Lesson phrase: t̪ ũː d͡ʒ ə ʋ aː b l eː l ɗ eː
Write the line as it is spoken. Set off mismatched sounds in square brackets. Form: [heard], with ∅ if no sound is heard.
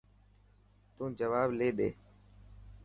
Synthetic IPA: t̪ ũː d͡ʒ ə ʋ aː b l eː [∅] ɗ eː